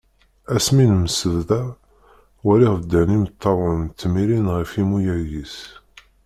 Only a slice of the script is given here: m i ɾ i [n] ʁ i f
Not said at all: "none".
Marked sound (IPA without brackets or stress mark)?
n